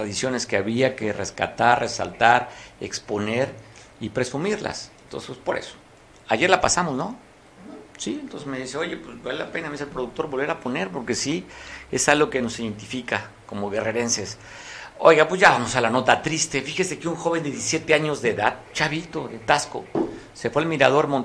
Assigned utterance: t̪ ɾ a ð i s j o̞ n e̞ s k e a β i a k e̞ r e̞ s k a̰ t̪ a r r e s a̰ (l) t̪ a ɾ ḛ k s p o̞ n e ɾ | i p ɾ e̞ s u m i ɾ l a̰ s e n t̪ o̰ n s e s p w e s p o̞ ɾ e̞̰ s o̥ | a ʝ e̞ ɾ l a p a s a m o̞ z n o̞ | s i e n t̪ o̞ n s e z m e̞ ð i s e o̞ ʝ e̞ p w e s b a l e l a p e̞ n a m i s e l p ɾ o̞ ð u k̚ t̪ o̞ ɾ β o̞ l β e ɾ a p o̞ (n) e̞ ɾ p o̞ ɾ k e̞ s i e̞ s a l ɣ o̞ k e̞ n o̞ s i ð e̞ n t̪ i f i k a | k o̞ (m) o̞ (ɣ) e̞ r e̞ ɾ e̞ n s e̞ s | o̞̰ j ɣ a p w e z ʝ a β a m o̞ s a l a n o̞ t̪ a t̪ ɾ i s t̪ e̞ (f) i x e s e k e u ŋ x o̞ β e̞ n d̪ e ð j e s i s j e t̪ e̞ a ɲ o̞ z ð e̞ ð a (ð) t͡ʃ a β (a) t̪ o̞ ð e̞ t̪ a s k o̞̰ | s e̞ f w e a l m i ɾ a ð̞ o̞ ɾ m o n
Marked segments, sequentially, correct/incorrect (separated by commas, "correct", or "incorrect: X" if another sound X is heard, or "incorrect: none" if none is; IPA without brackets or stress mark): correct, correct, correct, correct, correct, correct, incorrect: i